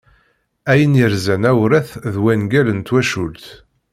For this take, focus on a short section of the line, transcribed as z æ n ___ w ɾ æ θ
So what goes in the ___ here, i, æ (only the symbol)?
æ